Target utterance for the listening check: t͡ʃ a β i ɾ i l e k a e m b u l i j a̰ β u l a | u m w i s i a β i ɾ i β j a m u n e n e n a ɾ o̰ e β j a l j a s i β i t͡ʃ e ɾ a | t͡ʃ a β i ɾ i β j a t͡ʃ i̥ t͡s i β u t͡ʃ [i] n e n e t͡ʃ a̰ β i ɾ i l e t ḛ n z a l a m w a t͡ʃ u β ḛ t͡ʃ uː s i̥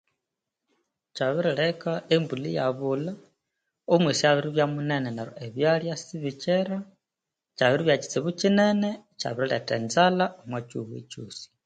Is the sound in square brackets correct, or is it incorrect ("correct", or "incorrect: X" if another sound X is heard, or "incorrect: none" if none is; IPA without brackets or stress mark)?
correct